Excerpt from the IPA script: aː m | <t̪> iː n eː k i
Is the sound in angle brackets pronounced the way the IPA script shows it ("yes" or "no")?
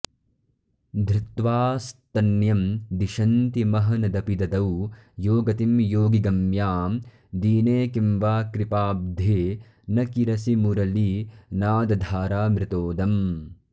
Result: no